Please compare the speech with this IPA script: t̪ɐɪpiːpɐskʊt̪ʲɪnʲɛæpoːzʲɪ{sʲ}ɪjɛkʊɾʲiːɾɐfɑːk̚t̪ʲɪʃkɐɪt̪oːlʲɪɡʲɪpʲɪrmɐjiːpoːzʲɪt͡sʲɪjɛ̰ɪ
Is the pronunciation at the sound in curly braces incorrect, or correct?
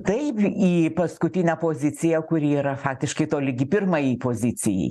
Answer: incorrect